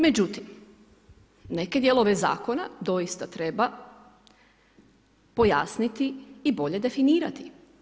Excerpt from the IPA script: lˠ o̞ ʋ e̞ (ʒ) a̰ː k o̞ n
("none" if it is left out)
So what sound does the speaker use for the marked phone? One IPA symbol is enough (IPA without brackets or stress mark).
z